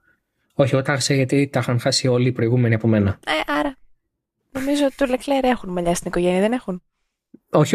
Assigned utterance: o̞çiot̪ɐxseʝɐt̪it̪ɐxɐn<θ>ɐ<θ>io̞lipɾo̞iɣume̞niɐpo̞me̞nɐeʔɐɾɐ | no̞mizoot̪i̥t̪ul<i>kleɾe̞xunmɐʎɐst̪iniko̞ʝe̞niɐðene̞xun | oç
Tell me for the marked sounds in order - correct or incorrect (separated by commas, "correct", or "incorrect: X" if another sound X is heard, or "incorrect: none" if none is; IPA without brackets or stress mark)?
incorrect: x, incorrect: s, incorrect: e